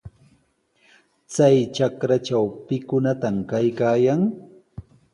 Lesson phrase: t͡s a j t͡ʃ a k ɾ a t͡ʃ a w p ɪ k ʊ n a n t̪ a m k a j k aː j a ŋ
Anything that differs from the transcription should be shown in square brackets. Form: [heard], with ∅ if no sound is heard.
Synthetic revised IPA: t͡s a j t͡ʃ a k ɾ a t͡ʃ a w p ɪ k ʊ n a [∅] t̪ a m k a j k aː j a ŋ